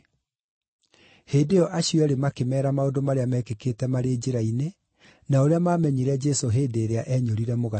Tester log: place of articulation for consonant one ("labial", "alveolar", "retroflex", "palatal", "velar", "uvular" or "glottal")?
glottal